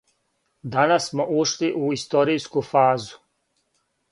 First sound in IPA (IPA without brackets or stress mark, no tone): d̪